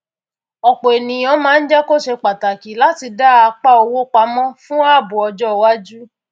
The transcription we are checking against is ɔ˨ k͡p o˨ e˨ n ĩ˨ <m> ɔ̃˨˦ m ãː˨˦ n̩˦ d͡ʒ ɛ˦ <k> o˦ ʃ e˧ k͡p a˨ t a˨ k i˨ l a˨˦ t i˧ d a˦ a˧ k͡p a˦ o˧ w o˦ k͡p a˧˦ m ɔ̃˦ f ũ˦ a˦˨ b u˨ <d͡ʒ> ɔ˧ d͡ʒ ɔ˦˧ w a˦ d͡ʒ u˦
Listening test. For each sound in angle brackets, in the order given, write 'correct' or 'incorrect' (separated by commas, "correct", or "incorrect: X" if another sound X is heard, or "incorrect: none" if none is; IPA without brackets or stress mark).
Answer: incorrect: none, correct, incorrect: none